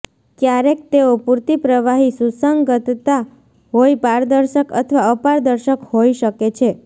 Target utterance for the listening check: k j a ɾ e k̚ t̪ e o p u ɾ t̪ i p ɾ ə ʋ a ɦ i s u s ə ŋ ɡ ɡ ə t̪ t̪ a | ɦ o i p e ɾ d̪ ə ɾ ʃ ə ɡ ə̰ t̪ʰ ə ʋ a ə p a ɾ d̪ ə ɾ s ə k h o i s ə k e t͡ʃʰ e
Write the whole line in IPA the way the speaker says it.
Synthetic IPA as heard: k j a ɾ e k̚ t̪ e o p u ɾ t̪ i p ɾ ə ʋ a ɦ i s u s ə ŋ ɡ ɡ ə t̪ t̪ a | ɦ o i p a ɾ d̪ ə ɾ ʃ ə k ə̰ t̪ʰ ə ʋ a ə p a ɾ d̪ ə ɾ ʃ ə k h o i ʃ ə k e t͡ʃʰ e